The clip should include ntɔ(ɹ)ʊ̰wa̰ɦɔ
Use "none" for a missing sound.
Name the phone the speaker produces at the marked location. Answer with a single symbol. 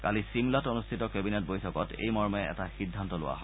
l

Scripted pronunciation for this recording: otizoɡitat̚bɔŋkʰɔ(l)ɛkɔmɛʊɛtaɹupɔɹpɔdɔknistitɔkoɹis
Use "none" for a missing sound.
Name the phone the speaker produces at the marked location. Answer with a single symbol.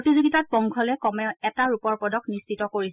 l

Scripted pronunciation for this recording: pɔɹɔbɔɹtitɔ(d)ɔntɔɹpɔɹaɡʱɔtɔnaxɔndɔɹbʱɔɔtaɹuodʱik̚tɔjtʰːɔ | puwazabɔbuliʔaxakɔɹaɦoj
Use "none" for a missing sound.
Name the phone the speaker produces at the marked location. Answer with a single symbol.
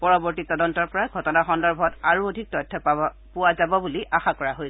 d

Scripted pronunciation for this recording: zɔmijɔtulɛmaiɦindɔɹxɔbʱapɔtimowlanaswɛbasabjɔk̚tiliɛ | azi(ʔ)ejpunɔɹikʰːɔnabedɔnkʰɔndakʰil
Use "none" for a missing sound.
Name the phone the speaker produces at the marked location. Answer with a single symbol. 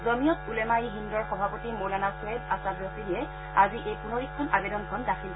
ʔ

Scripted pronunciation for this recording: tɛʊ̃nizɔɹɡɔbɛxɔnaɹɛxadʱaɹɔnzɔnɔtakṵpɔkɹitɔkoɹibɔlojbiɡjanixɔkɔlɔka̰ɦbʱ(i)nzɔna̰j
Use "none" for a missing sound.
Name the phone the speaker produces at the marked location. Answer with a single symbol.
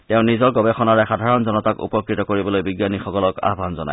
a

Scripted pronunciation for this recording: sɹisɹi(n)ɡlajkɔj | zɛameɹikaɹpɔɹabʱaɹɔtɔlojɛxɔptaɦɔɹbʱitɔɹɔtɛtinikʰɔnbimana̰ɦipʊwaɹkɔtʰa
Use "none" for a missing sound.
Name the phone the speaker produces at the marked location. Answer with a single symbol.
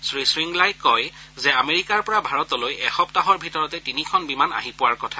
ŋ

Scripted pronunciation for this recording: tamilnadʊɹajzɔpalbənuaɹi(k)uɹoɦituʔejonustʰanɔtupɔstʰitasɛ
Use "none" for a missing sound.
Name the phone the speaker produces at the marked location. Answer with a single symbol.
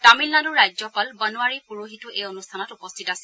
p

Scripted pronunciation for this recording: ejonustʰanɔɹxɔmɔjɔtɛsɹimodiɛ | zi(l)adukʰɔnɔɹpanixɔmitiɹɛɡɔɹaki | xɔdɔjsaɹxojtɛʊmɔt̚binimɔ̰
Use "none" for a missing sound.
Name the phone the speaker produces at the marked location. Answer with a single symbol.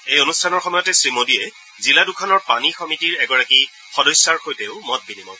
l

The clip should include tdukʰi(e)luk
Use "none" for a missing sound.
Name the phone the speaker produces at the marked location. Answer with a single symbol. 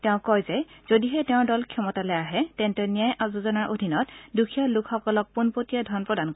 a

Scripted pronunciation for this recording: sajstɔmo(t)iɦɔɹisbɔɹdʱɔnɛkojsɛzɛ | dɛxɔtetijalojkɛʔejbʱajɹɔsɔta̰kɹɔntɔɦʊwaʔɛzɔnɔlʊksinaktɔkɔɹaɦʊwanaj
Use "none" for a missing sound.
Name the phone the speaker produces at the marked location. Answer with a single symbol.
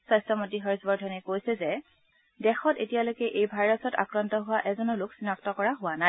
t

